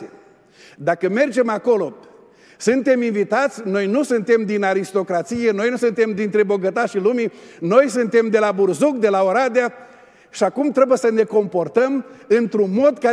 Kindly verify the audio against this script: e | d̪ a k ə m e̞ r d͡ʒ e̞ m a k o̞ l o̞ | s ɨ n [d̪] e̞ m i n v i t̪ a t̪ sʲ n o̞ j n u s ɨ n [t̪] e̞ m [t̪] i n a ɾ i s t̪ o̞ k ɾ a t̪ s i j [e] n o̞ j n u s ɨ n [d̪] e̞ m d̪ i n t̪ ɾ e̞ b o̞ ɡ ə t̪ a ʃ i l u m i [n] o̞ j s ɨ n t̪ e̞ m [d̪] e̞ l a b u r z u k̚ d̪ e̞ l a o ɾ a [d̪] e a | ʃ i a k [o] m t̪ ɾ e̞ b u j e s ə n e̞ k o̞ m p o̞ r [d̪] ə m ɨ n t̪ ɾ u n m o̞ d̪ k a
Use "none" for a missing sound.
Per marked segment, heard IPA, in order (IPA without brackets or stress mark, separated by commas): t̪, t̪, d̪, e, t̪, n, d̪, d̪, u, t̪